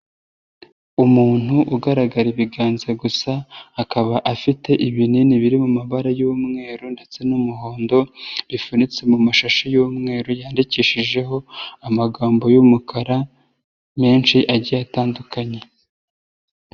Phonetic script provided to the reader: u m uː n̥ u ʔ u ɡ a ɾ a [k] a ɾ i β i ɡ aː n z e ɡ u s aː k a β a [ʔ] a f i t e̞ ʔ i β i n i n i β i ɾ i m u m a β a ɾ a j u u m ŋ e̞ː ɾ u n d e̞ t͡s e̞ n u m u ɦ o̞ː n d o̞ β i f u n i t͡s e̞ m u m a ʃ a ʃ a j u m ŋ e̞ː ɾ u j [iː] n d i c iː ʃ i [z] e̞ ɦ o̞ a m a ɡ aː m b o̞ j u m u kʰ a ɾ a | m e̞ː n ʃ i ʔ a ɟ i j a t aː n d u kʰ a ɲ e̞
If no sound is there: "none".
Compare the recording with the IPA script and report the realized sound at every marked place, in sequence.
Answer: ɡ, ʔ, aː, ʒ

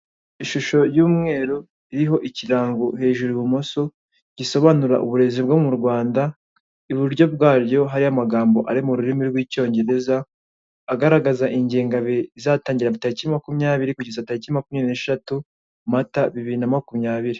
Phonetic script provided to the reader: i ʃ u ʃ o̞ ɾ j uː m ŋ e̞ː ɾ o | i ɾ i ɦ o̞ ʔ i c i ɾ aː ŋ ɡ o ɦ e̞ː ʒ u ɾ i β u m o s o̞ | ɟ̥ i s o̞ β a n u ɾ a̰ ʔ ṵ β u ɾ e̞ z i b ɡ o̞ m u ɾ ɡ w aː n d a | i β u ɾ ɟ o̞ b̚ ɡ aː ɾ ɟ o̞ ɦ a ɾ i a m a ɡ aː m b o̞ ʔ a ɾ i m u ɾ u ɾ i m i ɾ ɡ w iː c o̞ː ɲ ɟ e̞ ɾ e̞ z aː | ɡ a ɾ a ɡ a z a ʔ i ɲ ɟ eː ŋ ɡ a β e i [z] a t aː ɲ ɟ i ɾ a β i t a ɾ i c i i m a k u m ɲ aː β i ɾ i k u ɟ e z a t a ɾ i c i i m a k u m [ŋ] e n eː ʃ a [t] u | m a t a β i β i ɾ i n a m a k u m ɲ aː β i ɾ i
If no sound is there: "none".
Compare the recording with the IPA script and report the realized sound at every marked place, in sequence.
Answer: z, ɲ, t

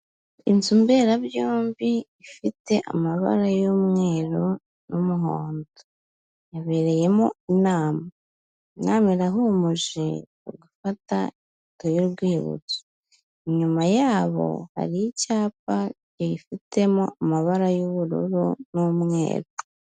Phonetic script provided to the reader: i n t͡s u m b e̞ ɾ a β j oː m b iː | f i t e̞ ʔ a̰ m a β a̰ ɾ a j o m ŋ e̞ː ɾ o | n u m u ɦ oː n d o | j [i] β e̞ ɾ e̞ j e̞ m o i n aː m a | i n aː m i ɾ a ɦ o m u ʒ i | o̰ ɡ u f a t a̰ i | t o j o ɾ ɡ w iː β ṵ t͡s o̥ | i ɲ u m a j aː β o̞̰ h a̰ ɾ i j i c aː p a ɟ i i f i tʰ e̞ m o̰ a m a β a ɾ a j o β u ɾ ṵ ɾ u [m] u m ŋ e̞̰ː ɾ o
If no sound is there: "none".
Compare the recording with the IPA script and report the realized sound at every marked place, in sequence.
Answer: a, n

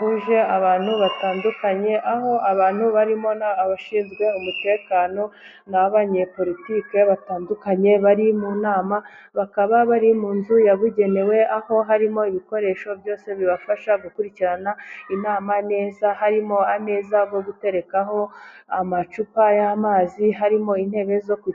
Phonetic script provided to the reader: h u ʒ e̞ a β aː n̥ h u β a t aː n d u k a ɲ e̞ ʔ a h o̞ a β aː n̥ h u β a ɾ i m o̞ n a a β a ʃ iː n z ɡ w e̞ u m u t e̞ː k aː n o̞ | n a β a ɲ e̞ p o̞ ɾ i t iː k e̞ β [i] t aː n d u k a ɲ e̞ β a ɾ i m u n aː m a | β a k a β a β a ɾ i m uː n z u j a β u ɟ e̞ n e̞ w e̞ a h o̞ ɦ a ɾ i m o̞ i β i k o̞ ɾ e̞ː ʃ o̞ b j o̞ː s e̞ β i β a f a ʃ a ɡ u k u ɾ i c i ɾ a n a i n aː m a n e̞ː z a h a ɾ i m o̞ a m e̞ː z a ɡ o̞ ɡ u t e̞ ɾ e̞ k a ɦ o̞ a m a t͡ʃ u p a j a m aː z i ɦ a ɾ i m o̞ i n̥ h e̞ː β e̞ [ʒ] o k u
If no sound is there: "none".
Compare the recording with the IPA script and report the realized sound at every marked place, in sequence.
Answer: a, z

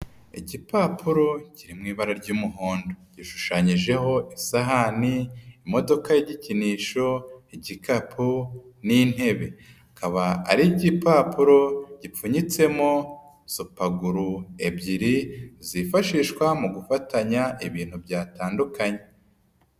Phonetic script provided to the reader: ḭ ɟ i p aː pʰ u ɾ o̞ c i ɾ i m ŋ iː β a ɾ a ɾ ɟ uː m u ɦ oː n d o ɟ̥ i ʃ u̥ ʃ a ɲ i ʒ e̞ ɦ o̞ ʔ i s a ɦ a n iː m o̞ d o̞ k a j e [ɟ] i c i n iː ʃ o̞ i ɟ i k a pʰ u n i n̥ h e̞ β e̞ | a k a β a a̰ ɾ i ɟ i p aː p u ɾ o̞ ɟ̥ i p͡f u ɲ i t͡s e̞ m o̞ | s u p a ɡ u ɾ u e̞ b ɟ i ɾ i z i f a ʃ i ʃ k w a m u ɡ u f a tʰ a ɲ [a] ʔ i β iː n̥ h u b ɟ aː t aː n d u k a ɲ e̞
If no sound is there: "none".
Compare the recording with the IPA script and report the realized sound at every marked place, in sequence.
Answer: ɟ, a

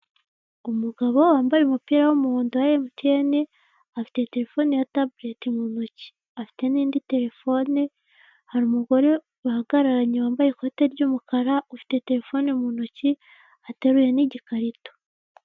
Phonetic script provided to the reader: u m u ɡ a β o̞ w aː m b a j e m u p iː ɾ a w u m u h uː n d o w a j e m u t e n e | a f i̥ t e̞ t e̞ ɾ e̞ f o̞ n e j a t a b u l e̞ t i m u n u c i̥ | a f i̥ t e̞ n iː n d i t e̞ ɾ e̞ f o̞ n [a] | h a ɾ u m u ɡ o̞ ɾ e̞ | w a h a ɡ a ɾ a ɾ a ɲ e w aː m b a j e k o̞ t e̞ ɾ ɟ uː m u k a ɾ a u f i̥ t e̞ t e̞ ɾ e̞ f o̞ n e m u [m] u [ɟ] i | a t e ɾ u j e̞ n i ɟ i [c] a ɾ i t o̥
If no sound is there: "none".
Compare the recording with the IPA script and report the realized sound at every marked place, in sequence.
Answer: e, n, c, k

